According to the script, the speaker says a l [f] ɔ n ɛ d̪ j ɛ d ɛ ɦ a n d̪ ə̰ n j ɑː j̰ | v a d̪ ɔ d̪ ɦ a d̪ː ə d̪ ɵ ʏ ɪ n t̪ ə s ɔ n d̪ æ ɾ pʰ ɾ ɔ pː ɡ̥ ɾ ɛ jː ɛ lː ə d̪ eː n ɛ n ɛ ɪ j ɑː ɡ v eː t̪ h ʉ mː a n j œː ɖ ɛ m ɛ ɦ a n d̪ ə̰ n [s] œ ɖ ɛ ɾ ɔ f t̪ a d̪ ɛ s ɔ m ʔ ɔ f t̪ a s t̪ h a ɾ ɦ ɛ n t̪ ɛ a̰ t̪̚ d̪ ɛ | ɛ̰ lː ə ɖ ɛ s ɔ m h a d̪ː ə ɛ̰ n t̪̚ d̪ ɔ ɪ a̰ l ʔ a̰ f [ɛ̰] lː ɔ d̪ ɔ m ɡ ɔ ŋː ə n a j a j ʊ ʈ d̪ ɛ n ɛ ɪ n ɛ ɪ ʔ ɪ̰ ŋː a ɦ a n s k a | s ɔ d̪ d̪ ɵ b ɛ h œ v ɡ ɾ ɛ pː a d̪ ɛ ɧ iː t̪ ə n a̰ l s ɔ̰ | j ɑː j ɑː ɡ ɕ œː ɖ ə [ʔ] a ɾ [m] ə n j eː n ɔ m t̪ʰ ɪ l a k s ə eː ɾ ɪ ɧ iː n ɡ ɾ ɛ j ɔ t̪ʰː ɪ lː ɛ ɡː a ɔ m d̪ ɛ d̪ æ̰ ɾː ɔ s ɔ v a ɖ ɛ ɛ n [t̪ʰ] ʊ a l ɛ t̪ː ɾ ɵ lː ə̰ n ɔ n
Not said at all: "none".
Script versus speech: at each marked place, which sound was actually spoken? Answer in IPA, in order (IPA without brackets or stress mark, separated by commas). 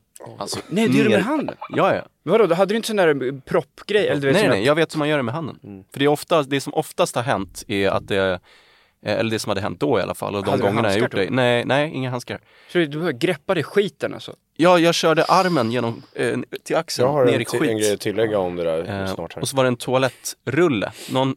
s, f, a̰, ʔ, m, t̪ʰ